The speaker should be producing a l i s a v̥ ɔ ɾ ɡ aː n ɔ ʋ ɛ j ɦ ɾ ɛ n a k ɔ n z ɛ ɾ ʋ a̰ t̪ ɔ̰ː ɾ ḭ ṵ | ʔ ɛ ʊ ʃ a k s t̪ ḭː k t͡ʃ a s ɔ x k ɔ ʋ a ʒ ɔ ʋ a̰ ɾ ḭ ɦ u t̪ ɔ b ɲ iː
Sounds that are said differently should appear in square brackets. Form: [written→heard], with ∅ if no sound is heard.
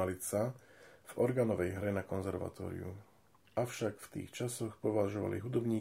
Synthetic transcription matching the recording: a l i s a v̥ ɔ ɾ ɡ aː n ɔ ʋ ɛ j ɦ ɾ ɛ n a k ɔ n z ɛ ɾ ʋ a̰ t̪ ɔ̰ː ɾ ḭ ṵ | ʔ [ɛ→a] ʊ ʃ a k [s→f] t̪ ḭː [k→x] t͡ʃ a s ɔ x [k→p] ɔ ʋ a ʒ ɔ ʋ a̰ [ɾ→l] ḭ ɦ u [t̪→d̪] ɔ b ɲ iː